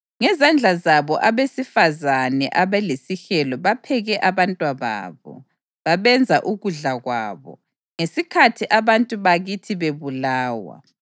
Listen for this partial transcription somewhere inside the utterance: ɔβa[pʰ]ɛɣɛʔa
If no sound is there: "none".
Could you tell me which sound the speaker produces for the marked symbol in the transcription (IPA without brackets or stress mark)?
pʰ